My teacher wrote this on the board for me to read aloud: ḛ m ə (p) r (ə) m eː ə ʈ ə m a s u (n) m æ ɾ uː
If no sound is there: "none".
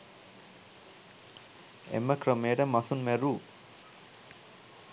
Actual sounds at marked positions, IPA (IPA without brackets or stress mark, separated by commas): k, ə, n